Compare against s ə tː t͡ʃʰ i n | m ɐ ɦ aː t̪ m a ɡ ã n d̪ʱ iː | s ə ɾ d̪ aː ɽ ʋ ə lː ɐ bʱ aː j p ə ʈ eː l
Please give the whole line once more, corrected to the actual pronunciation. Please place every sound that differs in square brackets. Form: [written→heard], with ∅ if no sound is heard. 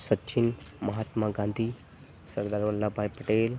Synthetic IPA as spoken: s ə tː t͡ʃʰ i n | m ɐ ɦ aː t̪ m a ɡ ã n d̪ʱ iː | s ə ɾ d̪ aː [ɽ→ɾ] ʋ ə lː [ɐ→a] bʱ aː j p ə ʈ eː l